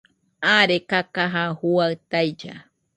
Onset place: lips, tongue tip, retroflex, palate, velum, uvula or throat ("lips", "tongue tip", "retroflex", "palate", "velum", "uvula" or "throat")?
tongue tip